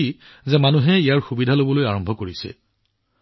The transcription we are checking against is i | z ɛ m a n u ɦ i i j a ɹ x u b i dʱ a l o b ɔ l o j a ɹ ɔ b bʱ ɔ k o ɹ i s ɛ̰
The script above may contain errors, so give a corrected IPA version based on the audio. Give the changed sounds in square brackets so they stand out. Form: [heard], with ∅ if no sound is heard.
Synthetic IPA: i | z ɛ m a n u ɦ [ɛ] i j a ɹ x u b i dʱ a l o b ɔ l o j a ɹ ɔ [m] bʱ ɔ k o ɹ i s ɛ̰